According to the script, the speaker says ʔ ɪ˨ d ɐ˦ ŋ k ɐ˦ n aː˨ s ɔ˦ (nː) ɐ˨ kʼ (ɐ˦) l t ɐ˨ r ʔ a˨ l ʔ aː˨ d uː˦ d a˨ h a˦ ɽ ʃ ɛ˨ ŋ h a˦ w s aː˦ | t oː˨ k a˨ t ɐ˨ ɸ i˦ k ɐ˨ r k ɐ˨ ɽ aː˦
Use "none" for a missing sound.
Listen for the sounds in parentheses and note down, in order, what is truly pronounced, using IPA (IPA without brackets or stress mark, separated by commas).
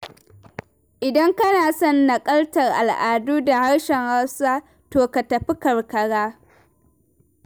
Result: nː, ɐ˦